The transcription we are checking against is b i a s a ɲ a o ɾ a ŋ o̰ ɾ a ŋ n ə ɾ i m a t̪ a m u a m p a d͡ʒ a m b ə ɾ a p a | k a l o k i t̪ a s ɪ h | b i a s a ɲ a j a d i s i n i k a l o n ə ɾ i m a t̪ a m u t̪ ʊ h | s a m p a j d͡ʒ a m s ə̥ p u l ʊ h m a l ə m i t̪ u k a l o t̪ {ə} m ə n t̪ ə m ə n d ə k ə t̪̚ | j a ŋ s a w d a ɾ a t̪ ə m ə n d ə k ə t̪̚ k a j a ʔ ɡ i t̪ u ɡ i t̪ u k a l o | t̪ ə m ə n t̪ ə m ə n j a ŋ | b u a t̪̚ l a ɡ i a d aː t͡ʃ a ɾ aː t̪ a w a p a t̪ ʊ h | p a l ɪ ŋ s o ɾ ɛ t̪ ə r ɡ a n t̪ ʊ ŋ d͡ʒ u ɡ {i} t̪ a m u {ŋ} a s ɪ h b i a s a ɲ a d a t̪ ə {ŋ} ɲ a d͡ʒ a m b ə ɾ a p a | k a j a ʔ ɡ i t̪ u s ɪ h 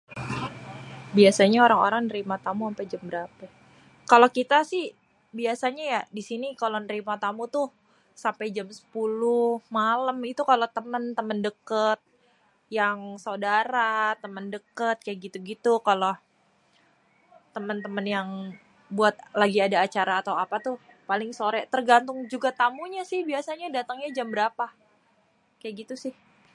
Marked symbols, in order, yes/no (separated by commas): yes, no, no, yes